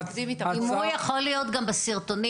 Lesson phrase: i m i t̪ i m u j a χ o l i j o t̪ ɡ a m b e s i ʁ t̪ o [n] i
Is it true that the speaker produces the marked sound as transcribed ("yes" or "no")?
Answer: yes